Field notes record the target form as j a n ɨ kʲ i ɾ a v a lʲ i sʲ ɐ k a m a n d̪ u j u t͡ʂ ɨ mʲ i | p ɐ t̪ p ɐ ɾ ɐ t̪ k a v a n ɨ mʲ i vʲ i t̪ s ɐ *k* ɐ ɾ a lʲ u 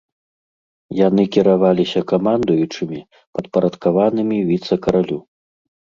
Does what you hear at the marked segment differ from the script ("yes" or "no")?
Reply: no